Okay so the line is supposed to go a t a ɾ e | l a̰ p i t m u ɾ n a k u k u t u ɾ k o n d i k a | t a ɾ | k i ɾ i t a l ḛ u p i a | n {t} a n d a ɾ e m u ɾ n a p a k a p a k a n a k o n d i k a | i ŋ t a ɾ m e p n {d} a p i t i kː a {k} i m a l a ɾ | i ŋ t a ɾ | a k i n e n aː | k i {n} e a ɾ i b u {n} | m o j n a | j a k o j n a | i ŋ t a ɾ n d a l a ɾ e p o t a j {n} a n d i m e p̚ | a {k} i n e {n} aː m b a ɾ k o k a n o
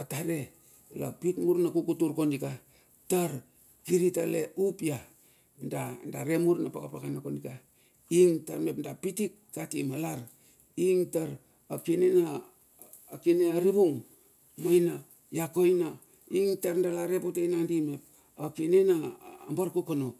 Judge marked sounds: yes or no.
no, yes, no, yes, no, yes, yes, yes

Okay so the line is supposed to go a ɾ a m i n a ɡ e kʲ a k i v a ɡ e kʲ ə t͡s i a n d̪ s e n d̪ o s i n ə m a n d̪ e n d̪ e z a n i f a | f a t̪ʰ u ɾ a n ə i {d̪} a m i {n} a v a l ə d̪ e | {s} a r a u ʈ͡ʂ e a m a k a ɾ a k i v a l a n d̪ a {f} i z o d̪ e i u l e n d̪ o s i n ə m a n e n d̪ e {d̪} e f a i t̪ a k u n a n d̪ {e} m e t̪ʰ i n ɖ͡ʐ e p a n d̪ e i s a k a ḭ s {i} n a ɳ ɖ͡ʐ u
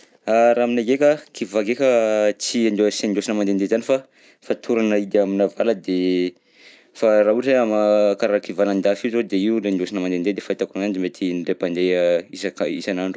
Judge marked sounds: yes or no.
yes, yes, no, yes, yes, no, no

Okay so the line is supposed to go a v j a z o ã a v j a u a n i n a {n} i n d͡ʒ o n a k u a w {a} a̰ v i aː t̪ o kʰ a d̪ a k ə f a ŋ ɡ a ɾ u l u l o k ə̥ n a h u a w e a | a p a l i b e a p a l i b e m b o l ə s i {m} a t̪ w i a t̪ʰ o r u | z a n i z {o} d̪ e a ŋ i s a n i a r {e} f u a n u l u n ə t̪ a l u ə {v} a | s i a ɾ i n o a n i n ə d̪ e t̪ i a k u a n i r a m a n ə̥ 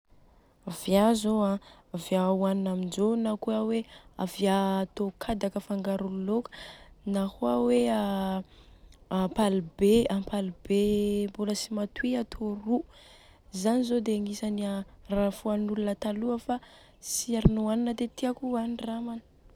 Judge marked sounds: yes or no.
no, no, yes, yes, no, no

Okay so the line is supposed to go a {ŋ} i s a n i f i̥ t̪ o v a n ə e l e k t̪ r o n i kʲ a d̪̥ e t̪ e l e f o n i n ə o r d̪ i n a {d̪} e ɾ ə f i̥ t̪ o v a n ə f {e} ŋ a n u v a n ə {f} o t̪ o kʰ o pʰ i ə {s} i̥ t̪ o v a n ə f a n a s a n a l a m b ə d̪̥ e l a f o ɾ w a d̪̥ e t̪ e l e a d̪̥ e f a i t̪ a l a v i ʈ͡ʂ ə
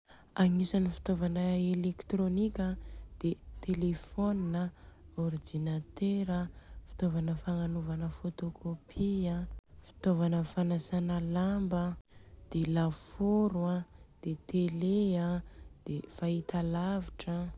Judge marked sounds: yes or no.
yes, no, no, yes, no

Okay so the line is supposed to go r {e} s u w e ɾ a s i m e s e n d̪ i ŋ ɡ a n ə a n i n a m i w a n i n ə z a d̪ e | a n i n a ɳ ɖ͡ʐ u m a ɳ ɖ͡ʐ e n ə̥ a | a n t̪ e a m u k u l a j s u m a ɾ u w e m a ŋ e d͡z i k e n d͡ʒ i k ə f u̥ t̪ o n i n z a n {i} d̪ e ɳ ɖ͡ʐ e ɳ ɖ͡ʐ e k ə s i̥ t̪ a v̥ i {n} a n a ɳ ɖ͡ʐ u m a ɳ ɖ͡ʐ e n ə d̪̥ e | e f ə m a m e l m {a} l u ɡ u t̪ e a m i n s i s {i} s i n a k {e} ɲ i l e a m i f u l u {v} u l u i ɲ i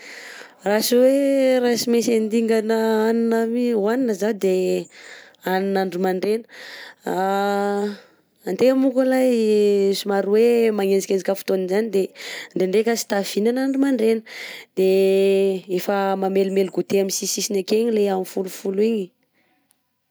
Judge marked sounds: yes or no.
no, yes, yes, no, yes, yes, no

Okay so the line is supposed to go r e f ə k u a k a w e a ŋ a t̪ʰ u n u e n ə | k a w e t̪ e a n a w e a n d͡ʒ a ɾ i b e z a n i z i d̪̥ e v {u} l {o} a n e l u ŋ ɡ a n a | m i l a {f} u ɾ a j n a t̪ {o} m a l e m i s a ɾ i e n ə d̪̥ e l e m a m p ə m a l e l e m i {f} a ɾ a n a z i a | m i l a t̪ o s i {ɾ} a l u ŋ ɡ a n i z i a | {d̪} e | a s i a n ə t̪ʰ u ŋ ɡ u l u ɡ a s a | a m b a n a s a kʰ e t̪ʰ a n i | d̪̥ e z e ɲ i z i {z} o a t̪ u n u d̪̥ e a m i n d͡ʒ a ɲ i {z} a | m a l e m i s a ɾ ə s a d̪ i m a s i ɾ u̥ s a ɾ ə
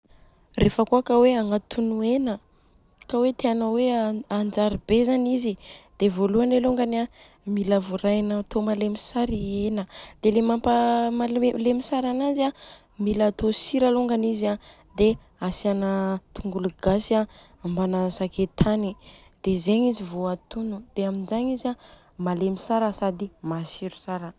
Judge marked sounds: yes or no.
no, no, no, yes, no, yes, yes, no, yes

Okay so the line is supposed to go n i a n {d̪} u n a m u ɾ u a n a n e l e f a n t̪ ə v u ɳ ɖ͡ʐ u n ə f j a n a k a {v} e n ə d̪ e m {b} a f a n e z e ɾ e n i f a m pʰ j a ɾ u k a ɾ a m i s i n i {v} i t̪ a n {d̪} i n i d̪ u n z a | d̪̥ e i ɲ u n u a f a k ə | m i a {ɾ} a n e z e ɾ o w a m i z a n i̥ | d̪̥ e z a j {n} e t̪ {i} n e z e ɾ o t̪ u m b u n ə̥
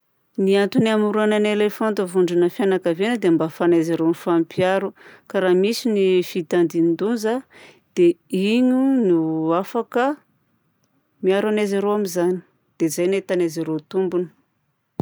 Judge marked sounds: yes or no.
no, yes, yes, no, yes, yes, yes, no

